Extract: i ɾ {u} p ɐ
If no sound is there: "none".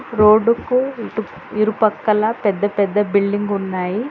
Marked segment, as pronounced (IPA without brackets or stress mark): u